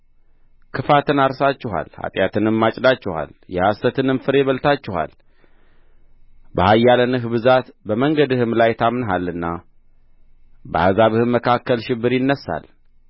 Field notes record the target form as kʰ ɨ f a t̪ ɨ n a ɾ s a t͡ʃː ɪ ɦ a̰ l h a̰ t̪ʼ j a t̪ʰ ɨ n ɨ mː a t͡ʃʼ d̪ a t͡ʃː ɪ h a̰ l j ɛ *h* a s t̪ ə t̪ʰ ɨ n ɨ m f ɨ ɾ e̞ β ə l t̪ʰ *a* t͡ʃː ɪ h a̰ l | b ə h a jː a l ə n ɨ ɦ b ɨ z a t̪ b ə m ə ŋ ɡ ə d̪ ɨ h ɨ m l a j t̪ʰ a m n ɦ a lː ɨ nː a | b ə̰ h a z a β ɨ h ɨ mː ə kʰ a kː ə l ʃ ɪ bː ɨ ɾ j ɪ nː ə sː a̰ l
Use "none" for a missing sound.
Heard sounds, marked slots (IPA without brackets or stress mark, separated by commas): h, a